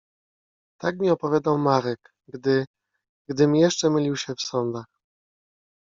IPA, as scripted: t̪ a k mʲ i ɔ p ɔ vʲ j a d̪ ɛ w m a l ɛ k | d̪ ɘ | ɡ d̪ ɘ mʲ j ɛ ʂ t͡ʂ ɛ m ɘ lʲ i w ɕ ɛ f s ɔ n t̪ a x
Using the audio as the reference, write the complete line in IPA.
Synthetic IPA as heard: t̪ a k mʲ i ɔ p ɔ vʲ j a d̪ a w m a ɾ ɛ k | d̪ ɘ | ɡ d̪ ɘ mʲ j ɛ ʂ t͡ʂ ɛ m ɘ lʲ i w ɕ ɛ f s ɔ n d̪ a x